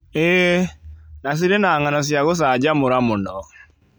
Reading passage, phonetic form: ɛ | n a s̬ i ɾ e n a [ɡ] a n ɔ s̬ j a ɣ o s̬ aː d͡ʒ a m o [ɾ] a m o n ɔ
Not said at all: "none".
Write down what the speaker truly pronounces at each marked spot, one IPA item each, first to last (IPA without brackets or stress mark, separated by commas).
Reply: ŋ, ɾ